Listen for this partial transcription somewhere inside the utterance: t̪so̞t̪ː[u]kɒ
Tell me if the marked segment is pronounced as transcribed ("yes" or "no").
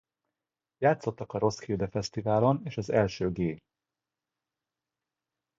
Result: no